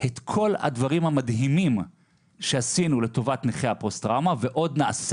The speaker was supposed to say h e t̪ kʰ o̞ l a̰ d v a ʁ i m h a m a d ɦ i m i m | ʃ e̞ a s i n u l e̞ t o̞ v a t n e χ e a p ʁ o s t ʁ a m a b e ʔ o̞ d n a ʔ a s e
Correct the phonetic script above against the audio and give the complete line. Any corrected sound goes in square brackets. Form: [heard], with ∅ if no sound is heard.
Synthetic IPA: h e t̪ kʰ o̞ l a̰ d v a ʁ i m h a m a d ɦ i m i m | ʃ e̞ a s i n u l e̞ t o̞ v a t n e χ e a p ʁ o s t ʁ a m a [v] e ʔ o̞ d n a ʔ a s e